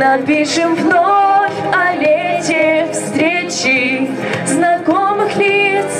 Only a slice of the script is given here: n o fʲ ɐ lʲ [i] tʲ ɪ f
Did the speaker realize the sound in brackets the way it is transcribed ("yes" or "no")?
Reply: no